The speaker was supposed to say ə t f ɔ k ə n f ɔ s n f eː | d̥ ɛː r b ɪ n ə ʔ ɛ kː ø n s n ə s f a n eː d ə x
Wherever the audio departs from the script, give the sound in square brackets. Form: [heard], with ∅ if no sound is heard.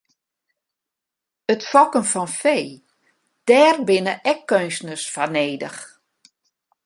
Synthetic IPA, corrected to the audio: ə t f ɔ k ə n f ɔ [∅] n f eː | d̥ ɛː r b ɪ n ə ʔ ɛ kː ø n s n ə s f a n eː d ə x